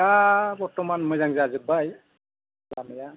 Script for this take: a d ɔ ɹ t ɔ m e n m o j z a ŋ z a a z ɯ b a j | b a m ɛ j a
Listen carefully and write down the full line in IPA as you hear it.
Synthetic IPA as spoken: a b ɔ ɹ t ɔ m a n m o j z a ŋ z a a z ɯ b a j | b a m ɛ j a